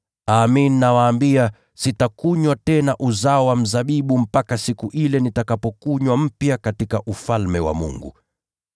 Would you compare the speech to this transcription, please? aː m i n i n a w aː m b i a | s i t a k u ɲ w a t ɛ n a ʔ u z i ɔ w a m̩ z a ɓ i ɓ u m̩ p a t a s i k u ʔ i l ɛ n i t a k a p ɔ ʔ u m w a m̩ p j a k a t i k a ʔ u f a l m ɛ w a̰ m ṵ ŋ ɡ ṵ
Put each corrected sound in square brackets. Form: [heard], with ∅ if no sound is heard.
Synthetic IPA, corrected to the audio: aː m i n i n a w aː m b i a | s i t a k u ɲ w a t ɛ n a ʔ u z [a] ɔ w a m̩ z a ɓ i ɓ u m̩ p a [k] a s i k u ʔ i l ɛ n i t a k a p ɔ [k] u [ɲ] w a m̩ p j a k a t i k a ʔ u f a l m ɛ w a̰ m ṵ ŋ ɡ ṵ